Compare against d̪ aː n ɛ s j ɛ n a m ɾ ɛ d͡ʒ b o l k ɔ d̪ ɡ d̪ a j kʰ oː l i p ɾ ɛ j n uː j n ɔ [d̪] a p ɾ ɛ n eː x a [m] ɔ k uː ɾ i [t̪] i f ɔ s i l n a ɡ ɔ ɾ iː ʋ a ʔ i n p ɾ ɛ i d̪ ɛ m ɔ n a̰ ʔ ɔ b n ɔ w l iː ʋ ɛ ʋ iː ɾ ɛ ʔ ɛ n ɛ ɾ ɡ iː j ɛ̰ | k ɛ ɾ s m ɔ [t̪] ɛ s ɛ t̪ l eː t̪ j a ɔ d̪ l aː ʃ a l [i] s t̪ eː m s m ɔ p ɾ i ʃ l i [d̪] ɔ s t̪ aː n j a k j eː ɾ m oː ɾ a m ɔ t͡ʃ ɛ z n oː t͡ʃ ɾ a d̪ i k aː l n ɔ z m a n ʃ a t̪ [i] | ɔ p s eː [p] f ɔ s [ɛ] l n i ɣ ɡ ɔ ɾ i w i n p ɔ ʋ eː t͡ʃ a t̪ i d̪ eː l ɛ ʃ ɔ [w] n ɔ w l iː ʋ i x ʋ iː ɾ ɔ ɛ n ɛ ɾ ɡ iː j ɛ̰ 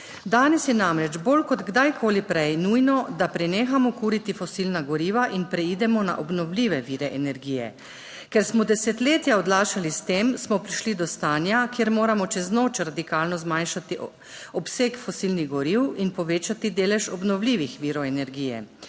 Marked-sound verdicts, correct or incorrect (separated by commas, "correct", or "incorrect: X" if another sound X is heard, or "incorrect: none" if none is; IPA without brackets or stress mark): correct, correct, correct, incorrect: d̪, correct, correct, correct, incorrect: k, incorrect: i, incorrect: b